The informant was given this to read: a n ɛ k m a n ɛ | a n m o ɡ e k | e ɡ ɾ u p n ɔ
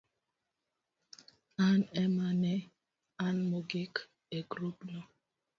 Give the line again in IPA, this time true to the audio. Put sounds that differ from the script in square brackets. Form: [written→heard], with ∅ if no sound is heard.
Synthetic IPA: a n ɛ [k→∅] m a n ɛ | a n m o ɡ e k | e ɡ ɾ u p n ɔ